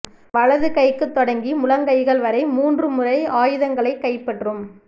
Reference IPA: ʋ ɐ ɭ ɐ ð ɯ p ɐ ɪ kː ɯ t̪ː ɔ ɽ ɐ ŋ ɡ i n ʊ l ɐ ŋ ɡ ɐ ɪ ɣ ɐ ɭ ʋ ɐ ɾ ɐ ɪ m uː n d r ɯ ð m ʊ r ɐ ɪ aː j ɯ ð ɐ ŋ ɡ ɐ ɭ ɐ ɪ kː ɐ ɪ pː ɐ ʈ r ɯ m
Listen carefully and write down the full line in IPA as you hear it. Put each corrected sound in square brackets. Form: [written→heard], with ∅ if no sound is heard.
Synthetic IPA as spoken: ʋ ɐ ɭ ɐ ð ɯ [p→k] ɐ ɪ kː ɯ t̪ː ɔ ɽ ɐ ŋ ɡ i [n→m] ʊ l ɐ ŋ ɡ ɐ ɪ ɣ ɐ ɭ ʋ ɐ ɾ ɐ ɪ m uː n d r ɯ [ð→∅] m ʊ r ɐ ɪ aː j ɯ ð ɐ ŋ ɡ ɐ ɭ ɐ ɪ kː ɐ ɪ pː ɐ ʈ r ɯ m

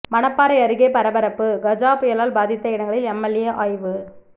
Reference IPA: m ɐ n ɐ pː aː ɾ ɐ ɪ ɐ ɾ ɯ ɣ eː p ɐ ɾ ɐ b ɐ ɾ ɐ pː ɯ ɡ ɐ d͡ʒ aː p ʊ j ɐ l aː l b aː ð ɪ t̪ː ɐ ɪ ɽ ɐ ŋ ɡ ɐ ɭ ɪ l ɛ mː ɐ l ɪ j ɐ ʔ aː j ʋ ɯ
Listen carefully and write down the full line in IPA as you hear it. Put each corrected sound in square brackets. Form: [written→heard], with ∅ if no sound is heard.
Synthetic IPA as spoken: m ɐ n ɐ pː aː ɾ ɐ ɪ ɐ ɾ ɯ ɣ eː p ɐ ɾ ɐ b ɐ ɾ ɐ pː ɯ ɡ ɐ d͡ʒ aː p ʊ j ɐ l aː l b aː ð ɪ t̪ː ɐ ɪ ɽ ɐ ŋ ɡ ɐ ɭ ɪ l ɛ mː ɐ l ɪ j ɐ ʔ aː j ʋ ɯ

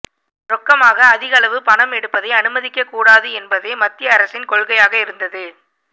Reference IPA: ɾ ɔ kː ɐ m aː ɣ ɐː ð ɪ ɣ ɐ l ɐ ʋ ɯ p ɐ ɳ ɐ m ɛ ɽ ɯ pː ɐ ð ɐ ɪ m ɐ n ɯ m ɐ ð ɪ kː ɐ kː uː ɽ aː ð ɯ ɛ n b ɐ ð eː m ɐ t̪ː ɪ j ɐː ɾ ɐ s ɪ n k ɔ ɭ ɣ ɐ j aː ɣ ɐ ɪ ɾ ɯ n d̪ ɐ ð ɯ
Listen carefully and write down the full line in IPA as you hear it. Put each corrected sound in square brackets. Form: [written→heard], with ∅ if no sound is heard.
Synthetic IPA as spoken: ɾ ɔ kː ɐ m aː ɣ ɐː ð ɪ ɣ ɐ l ɐ ʋ ɯ p ɐ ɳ ɐ m ɛ ɽ ɯ pː ɐ ð ɐ ɪ [m→∅] ɐ n ɯ m ɐ ð ɪ kː ɐ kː uː ɽ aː ð ɯ ɛ n b ɐ ð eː m ɐ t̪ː ɪ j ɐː ɾ ɐ s ɪ n k ɔ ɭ ɣ ɐ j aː ɣ ɐ ɪ ɾ ɯ n d̪ ɐ ð ɯ

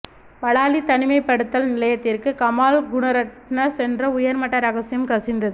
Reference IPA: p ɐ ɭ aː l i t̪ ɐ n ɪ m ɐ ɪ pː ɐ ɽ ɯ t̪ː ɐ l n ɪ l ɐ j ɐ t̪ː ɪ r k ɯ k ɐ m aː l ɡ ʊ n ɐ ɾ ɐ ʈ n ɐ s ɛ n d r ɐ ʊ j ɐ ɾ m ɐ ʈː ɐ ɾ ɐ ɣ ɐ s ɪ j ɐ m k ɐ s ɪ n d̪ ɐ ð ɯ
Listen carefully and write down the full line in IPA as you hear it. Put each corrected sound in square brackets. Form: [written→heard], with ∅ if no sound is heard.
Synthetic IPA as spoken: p ɐ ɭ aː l i t̪ ɐ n ɪ m ɐ ɪ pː ɐ ɽ ɯ t̪ː ɐ l n ɪ l ɐ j ɐ t̪ː ɪ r k ɯ k ɐ m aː l ɡ ʊ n ɐ ɾ ɐ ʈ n ɐ s ɛ n d r ɐ ʊ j ɐ ɾ m ɐ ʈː ɐ ɾ ɐ ɣ ɐ s ɪ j ɐ m k ɐ s ɪ n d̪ ɐ ð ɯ

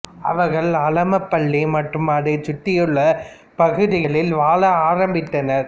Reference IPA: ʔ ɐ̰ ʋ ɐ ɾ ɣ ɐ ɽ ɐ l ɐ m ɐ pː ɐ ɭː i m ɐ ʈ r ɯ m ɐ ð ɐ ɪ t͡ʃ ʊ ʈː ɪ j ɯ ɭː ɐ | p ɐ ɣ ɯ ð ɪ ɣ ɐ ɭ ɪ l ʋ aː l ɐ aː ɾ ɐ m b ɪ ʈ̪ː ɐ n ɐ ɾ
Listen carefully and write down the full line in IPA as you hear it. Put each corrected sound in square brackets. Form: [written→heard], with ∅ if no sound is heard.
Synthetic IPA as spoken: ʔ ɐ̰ ʋ ɐ ɾ ɣ ɐ [ɽ→ɭ] ɐ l ɐ m ɐ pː ɐ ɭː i m ɐ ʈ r ɯ m ɐ ð ɐ ɪ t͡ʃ ʊ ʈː ɪ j ɯ ɭː ɐ | p ɐ ɣ ɯ ð ɪ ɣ ɐ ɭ ɪ l ʋ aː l ɐ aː ɾ ɐ m b ɪ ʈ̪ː ɐ n ɐ ɾ

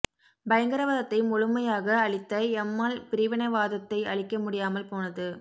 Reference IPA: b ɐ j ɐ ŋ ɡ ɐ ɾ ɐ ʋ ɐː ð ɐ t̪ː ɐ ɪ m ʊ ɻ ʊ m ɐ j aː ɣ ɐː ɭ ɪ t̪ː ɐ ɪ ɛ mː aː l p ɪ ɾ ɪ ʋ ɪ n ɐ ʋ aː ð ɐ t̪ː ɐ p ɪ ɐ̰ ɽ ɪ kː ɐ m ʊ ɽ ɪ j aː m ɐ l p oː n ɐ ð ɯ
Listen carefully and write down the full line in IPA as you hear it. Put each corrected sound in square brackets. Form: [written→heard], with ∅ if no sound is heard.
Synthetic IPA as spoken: b ɐ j ɐ ŋ ɡ ɐ ɾ ɐ ʋ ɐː ð ɐ t̪ː ɐ ɪ m ʊ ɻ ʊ m ɐ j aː ɣ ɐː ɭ ɪ t̪ː ɐ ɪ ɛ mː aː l p ɪ ɾ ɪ ʋ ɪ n ɐ ʋ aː ð ɐ t̪ː ɐ [p→∅] ɪ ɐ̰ [ɽ→ɭ] ɪ kː ɐ m ʊ ɽ ɪ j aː m ɐ l p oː n ɐ ð ɯ

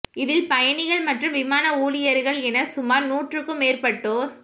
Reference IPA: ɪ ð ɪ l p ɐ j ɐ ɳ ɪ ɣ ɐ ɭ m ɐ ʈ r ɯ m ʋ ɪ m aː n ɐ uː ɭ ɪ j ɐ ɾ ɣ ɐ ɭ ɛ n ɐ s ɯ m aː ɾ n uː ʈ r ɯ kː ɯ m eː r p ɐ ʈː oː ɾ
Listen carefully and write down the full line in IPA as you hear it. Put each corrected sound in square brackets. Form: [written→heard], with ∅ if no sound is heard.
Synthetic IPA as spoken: ɪ ð ɪ l p ɐ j ɐ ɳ ɪ ɣ ɐ ɭ m ɐ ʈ r ɯ m ʋ ɪ m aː n ɐ uː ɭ ɪ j ɐ ɾ ɣ ɐ ɭ ɛ n ɐ s [ɯ→ʊ] m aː ɾ n uː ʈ r ɯ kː ɯ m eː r p ɐ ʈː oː ɾ

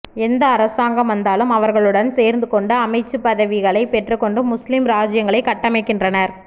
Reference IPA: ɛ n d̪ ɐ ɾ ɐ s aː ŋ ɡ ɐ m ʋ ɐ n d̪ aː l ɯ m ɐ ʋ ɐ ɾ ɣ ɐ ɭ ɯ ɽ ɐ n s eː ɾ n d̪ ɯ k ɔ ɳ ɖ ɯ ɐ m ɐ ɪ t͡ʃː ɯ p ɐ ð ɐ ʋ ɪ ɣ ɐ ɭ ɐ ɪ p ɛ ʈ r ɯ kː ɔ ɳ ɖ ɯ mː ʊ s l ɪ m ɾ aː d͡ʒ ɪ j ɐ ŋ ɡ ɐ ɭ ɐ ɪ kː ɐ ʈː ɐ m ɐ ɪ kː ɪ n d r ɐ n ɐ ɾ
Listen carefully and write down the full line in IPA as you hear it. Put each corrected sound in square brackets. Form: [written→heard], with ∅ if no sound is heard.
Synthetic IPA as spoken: ɛ n d̪ [ɐ→ɐː] ɾ ɐ s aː ŋ ɡ ɐ m ʋ ɐ n d̪ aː l ɯ m ɐ ʋ ɐ ɾ ɣ ɐ ɭ ɯ ɽ ɐ n s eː ɾ n d̪ ɯ k ɔ ɳ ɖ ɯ ɐ m ɐ ɪ t͡ʃː ɯ p ɐ ð ɐ ʋ ɪ ɣ ɐ ɭ ɐ ɪ p ɛ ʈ r ɯ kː ɔ ɳ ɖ ɯ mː ʊ s l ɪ m ɾ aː d͡ʒ ɪ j ɐ ŋ ɡ ɐ ɭ ɐ ɪ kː ɐ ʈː ɐ m ɐ ɪ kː ɪ n d r ɐ n ɐ ɾ

